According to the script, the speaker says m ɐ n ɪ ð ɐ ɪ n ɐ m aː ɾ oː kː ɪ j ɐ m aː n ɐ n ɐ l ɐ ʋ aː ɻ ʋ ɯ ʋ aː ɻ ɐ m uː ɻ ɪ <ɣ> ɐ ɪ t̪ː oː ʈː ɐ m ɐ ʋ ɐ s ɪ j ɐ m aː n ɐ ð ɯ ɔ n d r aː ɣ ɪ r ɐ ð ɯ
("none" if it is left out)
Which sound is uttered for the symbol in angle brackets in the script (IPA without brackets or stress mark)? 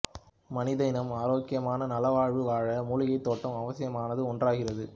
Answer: ɣ